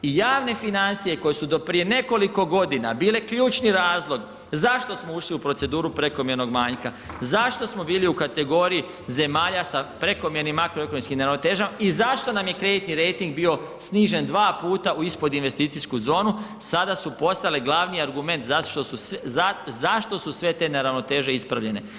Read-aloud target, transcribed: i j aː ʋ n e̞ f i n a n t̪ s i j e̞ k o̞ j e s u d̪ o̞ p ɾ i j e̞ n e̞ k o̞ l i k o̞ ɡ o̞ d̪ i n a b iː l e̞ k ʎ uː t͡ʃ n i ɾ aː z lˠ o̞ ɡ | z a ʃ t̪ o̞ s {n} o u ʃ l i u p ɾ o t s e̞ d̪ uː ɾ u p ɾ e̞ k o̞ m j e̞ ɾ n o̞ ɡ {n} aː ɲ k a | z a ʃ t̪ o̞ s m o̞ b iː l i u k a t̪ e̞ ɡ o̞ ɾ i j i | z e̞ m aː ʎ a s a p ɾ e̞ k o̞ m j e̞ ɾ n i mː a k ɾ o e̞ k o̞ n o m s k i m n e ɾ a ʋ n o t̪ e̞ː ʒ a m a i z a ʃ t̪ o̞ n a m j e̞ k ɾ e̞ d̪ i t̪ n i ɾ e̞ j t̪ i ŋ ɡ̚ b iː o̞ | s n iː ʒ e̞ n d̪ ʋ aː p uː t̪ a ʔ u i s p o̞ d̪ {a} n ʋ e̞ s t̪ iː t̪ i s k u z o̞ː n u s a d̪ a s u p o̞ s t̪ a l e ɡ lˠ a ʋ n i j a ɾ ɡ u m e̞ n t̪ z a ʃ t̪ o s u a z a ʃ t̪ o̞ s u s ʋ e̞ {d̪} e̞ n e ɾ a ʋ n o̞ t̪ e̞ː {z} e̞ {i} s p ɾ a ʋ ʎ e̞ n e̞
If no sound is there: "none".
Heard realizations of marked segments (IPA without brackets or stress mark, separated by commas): m, m, i, t̪, ʒ, i